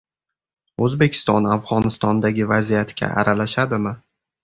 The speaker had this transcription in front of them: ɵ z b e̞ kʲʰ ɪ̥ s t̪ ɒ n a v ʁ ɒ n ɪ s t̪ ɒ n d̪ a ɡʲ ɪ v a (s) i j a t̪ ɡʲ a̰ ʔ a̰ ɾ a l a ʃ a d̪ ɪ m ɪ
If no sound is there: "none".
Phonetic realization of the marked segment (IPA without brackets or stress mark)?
z